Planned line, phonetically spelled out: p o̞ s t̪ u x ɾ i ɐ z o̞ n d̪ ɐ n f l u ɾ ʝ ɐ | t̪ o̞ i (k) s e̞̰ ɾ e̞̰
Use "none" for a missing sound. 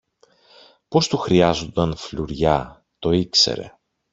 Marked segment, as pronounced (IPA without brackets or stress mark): k